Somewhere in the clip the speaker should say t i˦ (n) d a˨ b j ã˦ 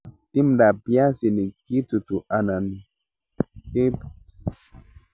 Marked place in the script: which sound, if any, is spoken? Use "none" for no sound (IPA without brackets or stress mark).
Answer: m